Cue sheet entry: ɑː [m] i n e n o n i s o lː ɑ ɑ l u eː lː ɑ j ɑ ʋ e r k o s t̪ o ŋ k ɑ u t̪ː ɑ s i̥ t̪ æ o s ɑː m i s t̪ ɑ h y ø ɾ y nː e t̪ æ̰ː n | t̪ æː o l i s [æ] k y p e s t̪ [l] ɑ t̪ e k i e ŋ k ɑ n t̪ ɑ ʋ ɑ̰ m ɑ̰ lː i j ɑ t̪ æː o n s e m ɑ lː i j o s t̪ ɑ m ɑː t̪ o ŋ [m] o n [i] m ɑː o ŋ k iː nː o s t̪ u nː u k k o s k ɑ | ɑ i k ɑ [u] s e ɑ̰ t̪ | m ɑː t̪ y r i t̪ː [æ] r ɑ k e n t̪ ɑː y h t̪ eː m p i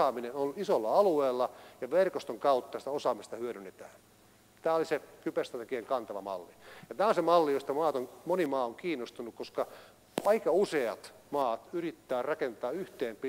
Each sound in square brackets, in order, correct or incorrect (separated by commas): correct, incorrect, incorrect, correct, correct, correct, incorrect